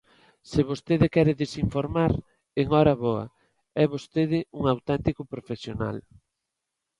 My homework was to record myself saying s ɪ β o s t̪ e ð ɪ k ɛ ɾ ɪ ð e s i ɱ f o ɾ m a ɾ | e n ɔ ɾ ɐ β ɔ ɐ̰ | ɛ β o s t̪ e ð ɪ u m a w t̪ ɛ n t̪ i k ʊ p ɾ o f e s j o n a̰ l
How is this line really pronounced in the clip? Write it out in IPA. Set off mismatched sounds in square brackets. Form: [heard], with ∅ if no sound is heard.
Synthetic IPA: s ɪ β o s t̪ e ð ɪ k ɛ ɾ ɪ ð e s i ɱ f o ɾ m a ɾ | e [ŋ] ɔ ɾ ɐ β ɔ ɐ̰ | ɛ β o s t̪ e ð ɪ u [ŋ] a w t̪ ɛ n t̪ i k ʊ p ɾ o f e s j o n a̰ l